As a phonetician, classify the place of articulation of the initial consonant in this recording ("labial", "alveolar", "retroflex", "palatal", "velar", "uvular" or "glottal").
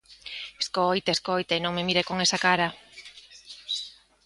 alveolar